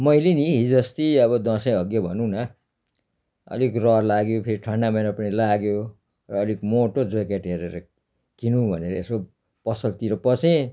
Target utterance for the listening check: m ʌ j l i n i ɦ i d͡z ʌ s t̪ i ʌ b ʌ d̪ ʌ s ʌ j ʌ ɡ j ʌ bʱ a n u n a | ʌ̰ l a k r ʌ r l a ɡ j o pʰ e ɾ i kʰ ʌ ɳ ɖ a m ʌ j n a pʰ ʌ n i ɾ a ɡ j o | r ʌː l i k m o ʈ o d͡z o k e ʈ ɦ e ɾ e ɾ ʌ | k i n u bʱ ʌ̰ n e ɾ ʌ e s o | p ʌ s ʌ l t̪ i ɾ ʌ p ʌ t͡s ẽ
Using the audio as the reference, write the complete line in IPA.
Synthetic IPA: m ʌ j l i n i ɦ i d͡z ʌ s t̪ i ʌ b ʌ d̪ ʌ s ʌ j ʌ ɡ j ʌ bʱ ʌ n u n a | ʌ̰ l i k r ʌ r l a ɡ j o pʰ e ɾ i ʈʰ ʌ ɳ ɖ a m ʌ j n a p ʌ n i l a ɡ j o | r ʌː l i k m o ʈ o d͡z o k e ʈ ɦ e ɾ e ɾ ʌ | k i n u bʱ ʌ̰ n e ɾ ʌ e s o | p ʌ s ʌ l t̪ i ɾ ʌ p ʌ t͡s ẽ